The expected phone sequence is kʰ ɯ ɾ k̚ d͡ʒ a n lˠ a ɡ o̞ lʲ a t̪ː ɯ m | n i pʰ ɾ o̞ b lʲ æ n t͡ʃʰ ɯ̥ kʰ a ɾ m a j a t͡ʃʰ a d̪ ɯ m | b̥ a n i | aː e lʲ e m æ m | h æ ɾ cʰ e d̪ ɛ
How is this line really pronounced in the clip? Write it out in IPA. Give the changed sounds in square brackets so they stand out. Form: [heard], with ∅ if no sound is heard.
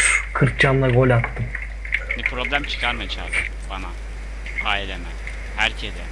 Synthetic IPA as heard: kʰ ɯ ɾ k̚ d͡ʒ a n lˠ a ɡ o̞ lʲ a t̪ː ɯ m | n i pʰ ɾ o̞ b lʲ æ [m] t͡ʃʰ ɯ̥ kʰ a ɾ m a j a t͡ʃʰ a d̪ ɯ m | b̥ a n [a] | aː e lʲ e m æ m | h æ ɾ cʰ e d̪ ɛ

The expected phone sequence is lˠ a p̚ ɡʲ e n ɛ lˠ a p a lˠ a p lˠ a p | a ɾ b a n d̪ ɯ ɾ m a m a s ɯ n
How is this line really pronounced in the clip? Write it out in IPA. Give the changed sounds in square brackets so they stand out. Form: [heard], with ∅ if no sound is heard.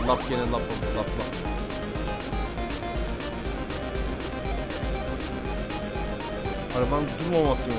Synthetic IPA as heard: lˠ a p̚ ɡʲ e n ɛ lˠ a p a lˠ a p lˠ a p | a ɾ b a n d̪ [u] ɾ m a m a s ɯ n

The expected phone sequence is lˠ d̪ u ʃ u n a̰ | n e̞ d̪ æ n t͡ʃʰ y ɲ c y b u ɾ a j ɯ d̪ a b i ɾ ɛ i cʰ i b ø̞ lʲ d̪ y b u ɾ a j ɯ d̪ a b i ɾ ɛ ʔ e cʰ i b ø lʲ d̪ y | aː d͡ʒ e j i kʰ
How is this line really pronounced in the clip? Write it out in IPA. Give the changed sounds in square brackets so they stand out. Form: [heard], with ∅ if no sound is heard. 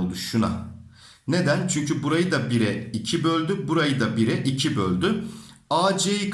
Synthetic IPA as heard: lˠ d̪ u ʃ u n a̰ | n e̞ d̪ æ n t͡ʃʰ y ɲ c y b u ɾ a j ɯ d̪ a b i ɾ ɛ i cʰ i b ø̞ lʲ d̪ y b u ɾ a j ɯ d̪ a b i ɾ ɛ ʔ [i] cʰ i b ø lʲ d̪ y | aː d͡ʒ e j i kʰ

